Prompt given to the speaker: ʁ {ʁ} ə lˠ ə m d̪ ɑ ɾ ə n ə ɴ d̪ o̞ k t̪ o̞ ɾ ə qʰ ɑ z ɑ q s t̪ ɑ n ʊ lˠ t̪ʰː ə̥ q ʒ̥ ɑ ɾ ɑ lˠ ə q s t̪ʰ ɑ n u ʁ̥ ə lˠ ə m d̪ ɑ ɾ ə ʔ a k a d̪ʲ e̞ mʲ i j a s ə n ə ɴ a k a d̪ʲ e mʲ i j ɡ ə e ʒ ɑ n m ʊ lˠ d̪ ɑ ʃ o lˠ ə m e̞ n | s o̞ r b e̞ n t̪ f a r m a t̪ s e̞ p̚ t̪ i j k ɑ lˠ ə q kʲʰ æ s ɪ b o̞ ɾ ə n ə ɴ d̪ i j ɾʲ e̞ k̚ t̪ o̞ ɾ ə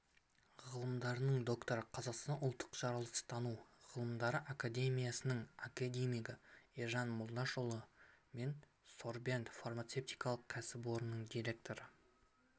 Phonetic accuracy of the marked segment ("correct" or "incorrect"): correct